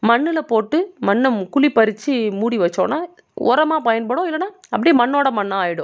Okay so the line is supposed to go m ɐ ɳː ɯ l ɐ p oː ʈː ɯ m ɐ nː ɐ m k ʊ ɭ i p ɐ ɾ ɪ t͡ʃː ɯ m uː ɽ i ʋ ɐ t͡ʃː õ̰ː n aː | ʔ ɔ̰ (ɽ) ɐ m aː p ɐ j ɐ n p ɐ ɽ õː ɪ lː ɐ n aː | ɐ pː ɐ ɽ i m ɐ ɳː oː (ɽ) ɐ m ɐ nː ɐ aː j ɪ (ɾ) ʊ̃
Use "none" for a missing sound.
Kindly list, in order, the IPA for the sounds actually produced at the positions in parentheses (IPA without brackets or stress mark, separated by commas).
ɾ, ɽ, ɽ